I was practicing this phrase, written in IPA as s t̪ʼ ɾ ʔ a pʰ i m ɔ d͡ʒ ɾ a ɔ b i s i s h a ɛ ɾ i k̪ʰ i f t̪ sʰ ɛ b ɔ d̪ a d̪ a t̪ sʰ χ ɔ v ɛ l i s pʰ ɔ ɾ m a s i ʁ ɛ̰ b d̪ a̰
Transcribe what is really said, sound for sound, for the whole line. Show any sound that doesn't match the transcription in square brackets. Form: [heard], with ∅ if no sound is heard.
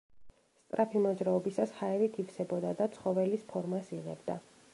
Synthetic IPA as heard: s t̪ʼ ɾ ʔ a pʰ i m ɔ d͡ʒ ɾ a ɔ b i s [a] s h a ɛ ɾ i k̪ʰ i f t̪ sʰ ɛ b ɔ d̪ a d̪ a t̪ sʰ χ ɔ v ɛ l i s pʰ ɔ ɾ m a s i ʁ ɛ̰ b d̪ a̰